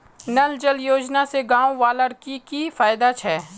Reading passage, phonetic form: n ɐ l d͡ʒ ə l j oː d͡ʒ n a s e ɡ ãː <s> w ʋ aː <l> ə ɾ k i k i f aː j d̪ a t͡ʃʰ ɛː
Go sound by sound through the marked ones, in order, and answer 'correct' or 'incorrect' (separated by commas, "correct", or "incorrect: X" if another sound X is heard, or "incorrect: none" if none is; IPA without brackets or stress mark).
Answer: incorrect: none, correct